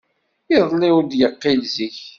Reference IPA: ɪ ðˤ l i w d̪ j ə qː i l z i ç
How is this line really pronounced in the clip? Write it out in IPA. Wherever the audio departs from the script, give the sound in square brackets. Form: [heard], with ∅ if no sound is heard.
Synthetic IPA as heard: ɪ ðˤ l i w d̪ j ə qː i l z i ç